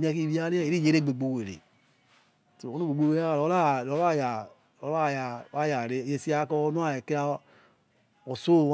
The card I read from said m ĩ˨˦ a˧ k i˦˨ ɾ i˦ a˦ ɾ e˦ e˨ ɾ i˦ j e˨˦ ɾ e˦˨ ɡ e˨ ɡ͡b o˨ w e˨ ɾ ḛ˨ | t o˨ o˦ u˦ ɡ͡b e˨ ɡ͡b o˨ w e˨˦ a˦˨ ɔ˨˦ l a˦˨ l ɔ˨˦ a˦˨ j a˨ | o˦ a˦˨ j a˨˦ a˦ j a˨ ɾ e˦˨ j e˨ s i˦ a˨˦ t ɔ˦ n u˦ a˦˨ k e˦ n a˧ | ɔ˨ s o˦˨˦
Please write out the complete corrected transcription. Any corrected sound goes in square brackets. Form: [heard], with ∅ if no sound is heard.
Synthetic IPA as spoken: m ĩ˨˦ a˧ k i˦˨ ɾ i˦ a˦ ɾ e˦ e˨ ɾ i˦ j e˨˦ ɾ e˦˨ [ɡ͡b] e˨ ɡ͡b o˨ w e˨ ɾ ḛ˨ | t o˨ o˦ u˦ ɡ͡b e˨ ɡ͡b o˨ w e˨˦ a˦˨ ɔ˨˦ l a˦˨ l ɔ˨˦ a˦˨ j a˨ | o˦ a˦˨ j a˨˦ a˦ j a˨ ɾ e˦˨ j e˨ s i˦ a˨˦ [k] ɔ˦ n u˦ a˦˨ k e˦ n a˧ | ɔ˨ s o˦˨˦

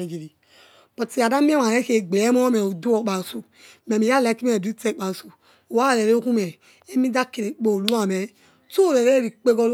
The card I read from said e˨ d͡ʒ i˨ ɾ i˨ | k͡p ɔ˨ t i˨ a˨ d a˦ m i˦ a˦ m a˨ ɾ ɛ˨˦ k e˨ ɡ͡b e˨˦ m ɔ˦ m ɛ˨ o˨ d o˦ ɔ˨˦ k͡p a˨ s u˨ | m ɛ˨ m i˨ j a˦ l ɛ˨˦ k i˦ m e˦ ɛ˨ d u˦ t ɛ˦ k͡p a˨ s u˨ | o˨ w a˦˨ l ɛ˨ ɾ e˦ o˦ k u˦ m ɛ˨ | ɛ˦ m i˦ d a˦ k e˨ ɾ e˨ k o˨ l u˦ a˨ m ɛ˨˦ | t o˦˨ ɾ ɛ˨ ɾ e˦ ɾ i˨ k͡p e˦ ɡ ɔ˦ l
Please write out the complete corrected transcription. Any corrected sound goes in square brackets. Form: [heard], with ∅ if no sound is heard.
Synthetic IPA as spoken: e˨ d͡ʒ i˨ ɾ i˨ | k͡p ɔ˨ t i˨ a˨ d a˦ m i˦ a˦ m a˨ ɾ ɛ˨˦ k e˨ ɡ͡b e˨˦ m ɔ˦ m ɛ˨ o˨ d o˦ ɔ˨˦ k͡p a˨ s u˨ | m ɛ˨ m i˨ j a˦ l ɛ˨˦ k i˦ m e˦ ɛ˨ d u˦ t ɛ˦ k͡p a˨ s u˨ | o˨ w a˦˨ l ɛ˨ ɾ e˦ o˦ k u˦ m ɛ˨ | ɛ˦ m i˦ d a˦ k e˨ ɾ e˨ [k͡p] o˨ l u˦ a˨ m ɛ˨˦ | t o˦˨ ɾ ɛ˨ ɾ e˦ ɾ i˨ k͡p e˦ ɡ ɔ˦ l

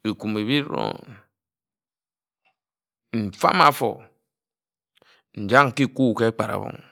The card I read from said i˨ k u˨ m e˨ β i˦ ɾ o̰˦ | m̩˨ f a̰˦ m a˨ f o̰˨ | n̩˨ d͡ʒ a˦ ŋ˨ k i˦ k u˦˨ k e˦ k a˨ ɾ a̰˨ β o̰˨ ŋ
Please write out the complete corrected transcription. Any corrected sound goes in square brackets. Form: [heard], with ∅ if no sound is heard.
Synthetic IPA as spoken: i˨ k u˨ m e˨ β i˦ ɾ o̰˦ | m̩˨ f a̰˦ m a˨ f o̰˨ | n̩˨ d͡ʒ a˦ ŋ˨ k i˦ k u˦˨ k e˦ [k͡p] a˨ ɾ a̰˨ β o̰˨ ŋ

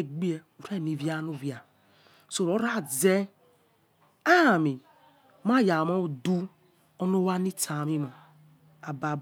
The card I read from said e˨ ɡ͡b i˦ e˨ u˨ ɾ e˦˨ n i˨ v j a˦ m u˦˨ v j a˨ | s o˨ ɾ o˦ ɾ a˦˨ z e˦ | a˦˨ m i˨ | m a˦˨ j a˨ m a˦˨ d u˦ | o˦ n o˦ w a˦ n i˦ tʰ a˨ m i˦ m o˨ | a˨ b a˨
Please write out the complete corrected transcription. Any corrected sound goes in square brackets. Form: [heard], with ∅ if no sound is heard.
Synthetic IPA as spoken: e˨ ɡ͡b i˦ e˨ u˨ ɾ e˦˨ n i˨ v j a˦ [n] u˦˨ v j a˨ | s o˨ ɾ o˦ ɾ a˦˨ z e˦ | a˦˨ m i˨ | m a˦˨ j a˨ m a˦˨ d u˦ | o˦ n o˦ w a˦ n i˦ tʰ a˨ m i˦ m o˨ | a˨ b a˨

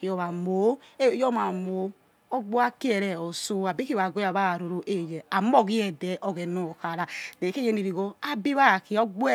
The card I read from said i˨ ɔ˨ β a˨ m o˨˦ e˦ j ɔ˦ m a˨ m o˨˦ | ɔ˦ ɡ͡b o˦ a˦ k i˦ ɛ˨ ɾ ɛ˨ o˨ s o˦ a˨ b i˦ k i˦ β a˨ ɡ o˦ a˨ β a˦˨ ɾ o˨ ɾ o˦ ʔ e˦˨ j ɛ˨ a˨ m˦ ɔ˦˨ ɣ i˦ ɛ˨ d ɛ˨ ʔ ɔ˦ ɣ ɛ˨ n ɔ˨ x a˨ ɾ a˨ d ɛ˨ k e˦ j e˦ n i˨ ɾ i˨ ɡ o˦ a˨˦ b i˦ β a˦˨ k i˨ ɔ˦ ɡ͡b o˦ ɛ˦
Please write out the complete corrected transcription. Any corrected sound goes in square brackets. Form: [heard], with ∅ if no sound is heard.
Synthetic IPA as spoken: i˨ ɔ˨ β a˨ m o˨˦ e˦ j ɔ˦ m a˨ m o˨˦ | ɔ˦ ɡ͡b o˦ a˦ k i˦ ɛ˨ ɾ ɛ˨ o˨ s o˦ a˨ b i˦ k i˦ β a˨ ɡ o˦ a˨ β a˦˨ ɾ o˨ ɾ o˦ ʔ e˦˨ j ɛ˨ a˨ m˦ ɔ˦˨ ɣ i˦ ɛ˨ d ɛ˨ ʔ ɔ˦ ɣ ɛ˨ n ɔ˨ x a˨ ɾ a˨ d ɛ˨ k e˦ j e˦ n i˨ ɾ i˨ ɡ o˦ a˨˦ b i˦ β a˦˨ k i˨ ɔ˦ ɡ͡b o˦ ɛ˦

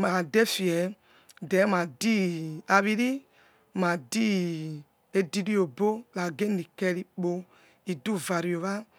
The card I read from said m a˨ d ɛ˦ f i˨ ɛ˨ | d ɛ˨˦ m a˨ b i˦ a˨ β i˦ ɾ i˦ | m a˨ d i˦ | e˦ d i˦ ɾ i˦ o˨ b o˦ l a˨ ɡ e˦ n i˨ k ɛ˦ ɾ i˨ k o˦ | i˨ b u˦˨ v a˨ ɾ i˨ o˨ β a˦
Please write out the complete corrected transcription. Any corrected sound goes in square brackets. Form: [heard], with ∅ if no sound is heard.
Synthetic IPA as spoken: m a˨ d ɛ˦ f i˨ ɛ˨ | d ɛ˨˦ m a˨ [d] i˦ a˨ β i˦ ɾ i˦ | m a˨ d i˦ | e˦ d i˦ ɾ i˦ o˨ b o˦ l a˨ ɡ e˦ n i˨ k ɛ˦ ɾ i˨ [k͡p] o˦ | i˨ [d] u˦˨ v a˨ ɾ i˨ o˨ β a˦

